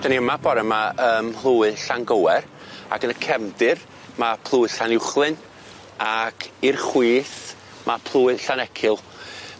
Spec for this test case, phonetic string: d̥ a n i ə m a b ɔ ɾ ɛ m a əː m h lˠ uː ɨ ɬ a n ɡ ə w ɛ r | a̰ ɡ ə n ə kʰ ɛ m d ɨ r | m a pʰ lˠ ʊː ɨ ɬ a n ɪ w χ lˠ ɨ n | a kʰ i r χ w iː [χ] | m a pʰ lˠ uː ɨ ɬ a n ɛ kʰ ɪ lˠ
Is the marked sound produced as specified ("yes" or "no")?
no